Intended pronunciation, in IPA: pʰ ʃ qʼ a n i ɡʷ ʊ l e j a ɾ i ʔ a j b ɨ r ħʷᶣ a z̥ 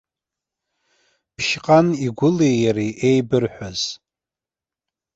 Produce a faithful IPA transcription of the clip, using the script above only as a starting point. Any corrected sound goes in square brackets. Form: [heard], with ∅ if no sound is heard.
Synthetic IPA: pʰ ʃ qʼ a n i ɡʷ ʊ l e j a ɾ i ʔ [e] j b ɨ r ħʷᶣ a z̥